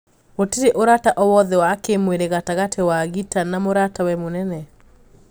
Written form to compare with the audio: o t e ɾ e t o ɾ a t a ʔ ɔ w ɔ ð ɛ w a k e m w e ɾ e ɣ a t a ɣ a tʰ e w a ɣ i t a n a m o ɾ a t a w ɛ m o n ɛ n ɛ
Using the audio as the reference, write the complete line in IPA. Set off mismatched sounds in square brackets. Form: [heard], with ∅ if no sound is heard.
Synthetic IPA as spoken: o t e ɾ e [ʔ] o ɾ a t a ʔ ɔ w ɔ ð ɛ w a k e m w e ɾ e ɣ a t a ɣ a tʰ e w a ɣ i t a n a m o ɾ a t a w ɛ m o n ɛ n ɛ

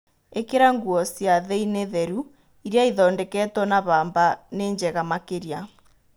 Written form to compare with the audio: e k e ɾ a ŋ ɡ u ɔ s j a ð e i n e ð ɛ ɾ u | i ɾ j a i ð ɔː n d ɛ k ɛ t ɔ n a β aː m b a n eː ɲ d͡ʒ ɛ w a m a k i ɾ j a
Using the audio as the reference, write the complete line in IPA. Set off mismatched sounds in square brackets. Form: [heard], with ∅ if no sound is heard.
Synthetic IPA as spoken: e k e ɾ a ŋ ɡ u ɔ s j a ð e i n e ð ɛ ɾ u | i ɾ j a i ð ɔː n d ɛ k ɛ t ɔ n a β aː m b a n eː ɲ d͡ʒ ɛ [ɣ] a m a k [e] ɾ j a

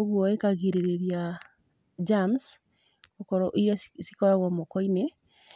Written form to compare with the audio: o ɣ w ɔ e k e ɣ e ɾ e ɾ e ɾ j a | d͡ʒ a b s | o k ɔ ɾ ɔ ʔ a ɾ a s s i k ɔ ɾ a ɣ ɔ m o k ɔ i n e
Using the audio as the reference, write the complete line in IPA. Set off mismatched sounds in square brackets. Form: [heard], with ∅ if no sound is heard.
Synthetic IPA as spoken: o ɣ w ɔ e k [a] ɣ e ɾ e ɾ e ɾ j a | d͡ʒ a [m] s | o k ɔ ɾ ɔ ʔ [i] ɾ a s s i k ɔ ɾ a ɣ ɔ m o k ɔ i n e

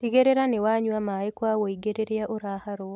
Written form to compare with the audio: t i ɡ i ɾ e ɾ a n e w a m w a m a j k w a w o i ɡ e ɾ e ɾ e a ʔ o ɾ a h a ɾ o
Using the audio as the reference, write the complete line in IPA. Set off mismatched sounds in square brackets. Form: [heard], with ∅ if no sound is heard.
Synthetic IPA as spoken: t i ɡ [e] ɾ e ɾ a n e w a [ɲ] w a m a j k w a w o i ɡ e ɾ e ɾ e a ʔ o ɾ a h a ɾ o

